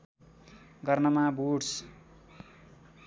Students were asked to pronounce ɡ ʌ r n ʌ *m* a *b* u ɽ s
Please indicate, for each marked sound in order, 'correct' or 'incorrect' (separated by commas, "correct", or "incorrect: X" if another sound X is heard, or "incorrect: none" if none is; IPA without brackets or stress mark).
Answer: correct, correct